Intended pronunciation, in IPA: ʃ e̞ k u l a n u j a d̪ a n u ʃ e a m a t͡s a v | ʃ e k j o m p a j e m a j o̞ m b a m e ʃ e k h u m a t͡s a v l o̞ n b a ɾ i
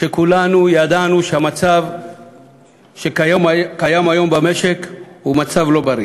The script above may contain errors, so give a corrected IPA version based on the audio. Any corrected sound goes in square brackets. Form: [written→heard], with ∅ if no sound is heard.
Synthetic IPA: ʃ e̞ k u l a n u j a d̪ a n u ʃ e a m a t͡s a v | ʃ e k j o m [p→k] a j [e→a] m a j o̞ m b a m e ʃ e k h u m a t͡s a v l o̞ [n→∅] b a ɾ i